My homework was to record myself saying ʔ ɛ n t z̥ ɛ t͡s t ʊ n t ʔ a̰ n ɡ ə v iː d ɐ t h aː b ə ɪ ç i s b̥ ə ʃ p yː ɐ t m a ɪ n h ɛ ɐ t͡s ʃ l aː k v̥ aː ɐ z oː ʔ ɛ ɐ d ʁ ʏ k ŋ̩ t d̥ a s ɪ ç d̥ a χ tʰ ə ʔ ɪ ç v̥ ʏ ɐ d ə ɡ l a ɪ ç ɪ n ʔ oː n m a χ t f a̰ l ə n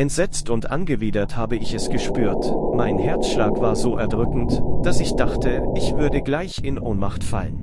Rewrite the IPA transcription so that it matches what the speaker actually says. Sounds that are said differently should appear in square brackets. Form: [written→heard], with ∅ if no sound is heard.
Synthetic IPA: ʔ ɛ n t z̥ ɛ t͡s t ʊ n t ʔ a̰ n ɡ ə v iː d ɐ t h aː b ə ɪ ç [i→ɛ] s [b̥→ɡ̥] ə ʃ p yː ɐ t m a ɪ n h ɛ ɐ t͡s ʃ l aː k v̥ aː ɐ z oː ʔ ɛ ɐ d ʁ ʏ k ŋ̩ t d̥ a s ɪ ç d̥ a χ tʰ ə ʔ ɪ ç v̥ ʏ ɐ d ə ɡ l a ɪ ç ɪ n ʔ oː n m a χ t f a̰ l ə n

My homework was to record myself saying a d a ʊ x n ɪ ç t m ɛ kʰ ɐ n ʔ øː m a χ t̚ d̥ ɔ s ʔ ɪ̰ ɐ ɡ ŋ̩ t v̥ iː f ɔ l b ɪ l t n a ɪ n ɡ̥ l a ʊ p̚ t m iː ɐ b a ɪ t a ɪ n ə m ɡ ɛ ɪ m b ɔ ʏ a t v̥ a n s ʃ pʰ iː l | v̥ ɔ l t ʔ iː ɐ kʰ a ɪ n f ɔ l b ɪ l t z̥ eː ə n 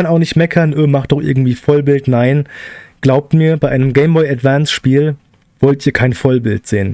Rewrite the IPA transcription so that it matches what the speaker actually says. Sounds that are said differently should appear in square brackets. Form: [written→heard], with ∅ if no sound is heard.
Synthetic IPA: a [d→n] a ʊ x n ɪ ç t m ɛ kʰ ɐ n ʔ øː m a χ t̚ d̥ ɔ [s→χ] ʔ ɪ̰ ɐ ɡ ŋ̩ t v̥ iː f ɔ l b ɪ l t n a ɪ n ɡ̥ l a ʊ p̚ t m iː ɐ b a ɪ [t→ʔ] a ɪ n ə m ɡ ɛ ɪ m b ɔ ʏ a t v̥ a n s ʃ [pʰ→p] iː l | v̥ ɔ l t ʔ iː ɐ kʰ a ɪ n f ɔ l b ɪ l t z̥ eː ə n

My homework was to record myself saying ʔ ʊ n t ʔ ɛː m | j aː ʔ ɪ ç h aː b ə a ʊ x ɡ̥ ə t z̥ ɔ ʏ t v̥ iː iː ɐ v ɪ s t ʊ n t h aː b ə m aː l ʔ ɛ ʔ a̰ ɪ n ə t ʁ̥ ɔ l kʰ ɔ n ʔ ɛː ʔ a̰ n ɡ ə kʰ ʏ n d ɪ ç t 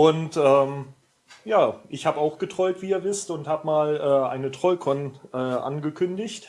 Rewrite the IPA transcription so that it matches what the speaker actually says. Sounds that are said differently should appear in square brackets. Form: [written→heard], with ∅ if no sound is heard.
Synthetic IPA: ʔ ʊ n t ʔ ɛː m | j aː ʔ ɪ ç h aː b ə a ʊ x ɡ̥ ə t [z̥→ʁ̥] ɔ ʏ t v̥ iː iː ɐ v ɪ s t ʊ n t h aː b ə m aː l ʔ [ɛ→ɛː] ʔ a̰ ɪ n ə t ʁ̥ ɔ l kʰ ɔ n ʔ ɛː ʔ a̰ n ɡ ə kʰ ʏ n d ɪ ç t

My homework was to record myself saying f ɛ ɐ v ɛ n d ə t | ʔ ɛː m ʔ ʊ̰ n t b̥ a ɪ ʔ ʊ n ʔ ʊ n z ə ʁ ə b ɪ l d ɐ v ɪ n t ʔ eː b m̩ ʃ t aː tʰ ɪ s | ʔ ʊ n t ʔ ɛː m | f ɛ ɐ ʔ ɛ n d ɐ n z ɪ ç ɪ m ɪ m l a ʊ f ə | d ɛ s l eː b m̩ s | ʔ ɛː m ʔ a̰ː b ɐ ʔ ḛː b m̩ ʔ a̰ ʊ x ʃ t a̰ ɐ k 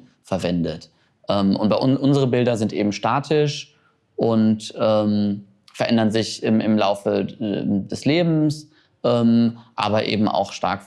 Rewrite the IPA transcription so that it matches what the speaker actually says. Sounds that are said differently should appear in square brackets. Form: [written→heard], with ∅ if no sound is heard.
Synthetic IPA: f ɛ ɐ v ɛ n d ə t | ʔ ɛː m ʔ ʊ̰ n t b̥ a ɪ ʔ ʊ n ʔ ʊ n z ə ʁ ə b ɪ l d ɐ [v→z] ɪ n t ʔ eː b m̩ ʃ t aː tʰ ɪ [s→ʃ] | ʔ ʊ n t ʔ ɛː m | f ɛ ɐ ʔ ɛ n d ɐ n z ɪ ç ɪ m ɪ m l a ʊ f ə | d ɛ s l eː b m̩ s | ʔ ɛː m ʔ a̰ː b ɐ ʔ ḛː b m̩ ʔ a̰ ʊ x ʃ t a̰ ɐ k

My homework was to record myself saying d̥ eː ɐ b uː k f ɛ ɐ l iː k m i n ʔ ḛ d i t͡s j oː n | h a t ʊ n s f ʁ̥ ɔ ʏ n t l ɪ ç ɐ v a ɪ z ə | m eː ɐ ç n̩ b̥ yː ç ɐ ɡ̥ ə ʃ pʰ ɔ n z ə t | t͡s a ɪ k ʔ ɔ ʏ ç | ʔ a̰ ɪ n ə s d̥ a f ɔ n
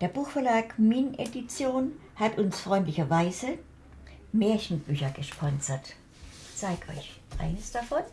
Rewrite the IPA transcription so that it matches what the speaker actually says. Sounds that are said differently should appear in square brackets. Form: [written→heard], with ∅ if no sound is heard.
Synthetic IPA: d̥ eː ɐ b uː [k→x] f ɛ ɐ l [iː→aː] k m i n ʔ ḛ d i t͡s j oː n | h a t ʊ n s f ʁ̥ ɔ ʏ n t l ɪ ç ɐ v a ɪ z ə | m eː ɐ ç n̩ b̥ yː ç ɐ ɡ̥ ə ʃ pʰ ɔ n z [ə→ɐ] t | t͡s a ɪ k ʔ ɔ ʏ ç | ʔ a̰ ɪ n ə s d̥ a f ɔ n

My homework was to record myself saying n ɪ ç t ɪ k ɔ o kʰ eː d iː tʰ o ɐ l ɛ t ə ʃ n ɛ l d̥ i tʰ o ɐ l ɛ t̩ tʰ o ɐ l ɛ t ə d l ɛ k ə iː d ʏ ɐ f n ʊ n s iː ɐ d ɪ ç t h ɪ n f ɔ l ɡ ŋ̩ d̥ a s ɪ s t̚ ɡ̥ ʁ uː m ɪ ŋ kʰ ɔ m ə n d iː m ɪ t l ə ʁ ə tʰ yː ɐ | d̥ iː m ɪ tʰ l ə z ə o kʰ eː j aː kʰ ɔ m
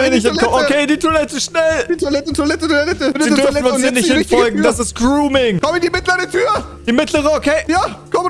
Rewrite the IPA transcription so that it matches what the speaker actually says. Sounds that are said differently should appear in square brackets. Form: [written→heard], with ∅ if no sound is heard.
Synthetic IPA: n ɪ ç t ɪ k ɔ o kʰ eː d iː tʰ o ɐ l ɛ t ə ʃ n ɛ l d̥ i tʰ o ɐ l ɛ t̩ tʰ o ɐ l ɛ t ə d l ɛ [k→t] ə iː d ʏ ɐ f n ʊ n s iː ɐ [d→n] ɪ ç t h ɪ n f ɔ l ɡ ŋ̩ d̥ a s ɪ s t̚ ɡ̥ ʁ uː m ɪ ŋ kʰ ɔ m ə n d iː m ɪ t l ə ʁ ə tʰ yː ɐ | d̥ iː m ɪ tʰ l ə [z→ʁ] ə o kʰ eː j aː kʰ ɔ m

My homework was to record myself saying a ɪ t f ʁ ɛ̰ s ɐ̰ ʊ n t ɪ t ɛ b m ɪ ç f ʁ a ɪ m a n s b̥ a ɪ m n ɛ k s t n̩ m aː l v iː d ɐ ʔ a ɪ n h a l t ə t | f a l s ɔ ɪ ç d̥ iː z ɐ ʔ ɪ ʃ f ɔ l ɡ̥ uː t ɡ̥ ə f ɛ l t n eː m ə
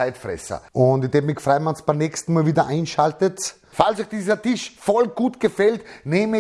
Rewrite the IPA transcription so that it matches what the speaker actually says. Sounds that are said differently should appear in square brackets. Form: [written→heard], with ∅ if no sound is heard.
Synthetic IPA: a ɪ t f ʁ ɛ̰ s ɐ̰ ʊ n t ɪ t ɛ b m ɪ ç f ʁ a ɪ m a n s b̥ a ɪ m n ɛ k s t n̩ m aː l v iː d ɐ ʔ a ɪ n [h→ʃ] a l t ə t | f a l s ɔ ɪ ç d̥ iː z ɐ [ʔ→t] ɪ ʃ f ɔ l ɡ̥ uː t ɡ̥ ə f ɛ l t n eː m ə

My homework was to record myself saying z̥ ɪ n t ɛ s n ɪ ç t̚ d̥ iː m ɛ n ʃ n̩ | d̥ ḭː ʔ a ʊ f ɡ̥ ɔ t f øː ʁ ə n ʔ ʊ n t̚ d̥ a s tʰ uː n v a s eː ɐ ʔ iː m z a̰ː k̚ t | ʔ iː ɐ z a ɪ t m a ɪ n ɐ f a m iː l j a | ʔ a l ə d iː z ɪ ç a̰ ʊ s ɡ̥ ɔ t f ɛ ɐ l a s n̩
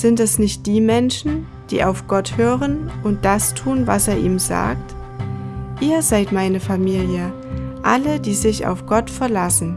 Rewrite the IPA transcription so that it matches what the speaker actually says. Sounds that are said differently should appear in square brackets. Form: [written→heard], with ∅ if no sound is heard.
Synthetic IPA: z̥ ɪ n t ɛ s n ɪ ç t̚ d̥ iː m ɛ n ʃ n̩ | d̥ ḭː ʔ a ʊ f ɡ̥ ɔ t [f→h] øː ʁ ə n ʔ ʊ n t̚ d̥ a s tʰ uː n v a s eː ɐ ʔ iː m z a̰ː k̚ t | ʔ iː ɐ z a ɪ t m a ɪ n [ɐ→ə] f a m iː l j [a→ə] | ʔ a l ə d iː z ɪ ç a̰ ʊ [s→f] ɡ̥ ɔ t f ɛ ɐ l a s n̩

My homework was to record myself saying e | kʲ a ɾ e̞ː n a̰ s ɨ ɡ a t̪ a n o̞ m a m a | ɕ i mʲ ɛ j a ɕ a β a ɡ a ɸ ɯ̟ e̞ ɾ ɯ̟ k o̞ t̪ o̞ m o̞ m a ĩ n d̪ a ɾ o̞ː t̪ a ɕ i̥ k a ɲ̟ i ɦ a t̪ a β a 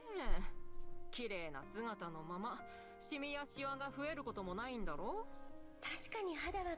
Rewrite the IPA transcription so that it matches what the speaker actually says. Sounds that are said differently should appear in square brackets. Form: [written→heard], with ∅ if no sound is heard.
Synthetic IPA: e | kʲ [a→i] ɾ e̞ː n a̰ s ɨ ɡ a t̪ a n o̞ m a m a | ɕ i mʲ [ɛ→i] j a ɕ [a→i] β a ɡ a ɸ ɯ̟ e̞ ɾ ɯ̟ k o̞ t̪ o̞ m o̞ [m→n] a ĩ n d̪ a ɾ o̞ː t̪ a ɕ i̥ k a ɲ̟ i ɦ a [t̪→d̪] a β a

